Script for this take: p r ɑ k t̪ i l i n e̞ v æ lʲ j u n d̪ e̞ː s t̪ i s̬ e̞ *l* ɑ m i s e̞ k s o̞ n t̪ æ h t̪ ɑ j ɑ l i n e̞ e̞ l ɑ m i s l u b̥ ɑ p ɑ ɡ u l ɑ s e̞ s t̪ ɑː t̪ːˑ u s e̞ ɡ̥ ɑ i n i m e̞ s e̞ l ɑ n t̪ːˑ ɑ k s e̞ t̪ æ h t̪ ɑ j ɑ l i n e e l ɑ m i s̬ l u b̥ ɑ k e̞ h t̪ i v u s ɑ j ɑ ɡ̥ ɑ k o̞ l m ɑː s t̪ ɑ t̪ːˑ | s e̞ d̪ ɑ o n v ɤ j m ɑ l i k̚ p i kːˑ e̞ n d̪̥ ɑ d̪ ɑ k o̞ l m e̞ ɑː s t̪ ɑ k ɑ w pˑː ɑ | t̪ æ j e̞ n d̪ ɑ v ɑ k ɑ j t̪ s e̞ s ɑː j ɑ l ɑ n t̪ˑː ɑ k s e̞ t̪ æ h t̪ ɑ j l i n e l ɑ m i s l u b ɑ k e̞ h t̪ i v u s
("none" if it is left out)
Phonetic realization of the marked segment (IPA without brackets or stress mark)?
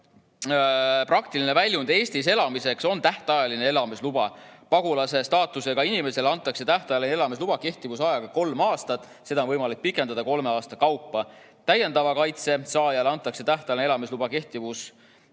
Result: l